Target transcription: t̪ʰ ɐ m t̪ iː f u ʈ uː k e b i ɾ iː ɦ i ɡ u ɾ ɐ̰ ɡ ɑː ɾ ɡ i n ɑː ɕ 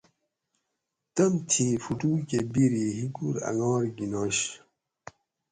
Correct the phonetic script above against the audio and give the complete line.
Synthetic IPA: t̪ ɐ m t̪ʰ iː f u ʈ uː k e b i ɾ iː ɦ i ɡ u ɾ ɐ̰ ŋ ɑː ɾ ɡ i n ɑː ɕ